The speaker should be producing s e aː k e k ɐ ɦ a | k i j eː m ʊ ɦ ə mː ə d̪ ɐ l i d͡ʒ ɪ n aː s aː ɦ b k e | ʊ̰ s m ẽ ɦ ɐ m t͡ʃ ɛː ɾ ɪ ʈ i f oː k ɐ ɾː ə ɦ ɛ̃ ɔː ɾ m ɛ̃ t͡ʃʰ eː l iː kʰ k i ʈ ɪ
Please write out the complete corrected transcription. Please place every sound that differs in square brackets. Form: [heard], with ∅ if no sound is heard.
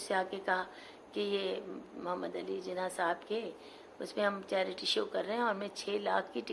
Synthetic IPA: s e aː k e k ɐ ɦ a | k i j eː m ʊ ɦ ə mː ə d̪ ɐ l i d͡ʒ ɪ n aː s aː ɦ b k e | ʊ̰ s m ẽ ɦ ɐ m t͡ʃ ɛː ɾ ɪ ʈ i [ʃ] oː k ɐ ɾː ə ɦ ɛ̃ ɔː ɾ m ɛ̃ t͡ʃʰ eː l [aː] kʰ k i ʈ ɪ